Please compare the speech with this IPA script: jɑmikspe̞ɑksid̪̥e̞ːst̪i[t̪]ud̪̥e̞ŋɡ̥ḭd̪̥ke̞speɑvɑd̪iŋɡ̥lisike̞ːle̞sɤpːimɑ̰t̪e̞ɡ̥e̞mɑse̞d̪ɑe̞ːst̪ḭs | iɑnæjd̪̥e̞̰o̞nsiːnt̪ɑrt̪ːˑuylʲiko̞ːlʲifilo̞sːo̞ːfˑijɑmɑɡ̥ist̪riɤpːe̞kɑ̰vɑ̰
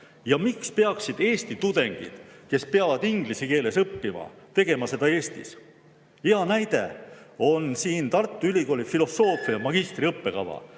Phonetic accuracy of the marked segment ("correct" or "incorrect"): correct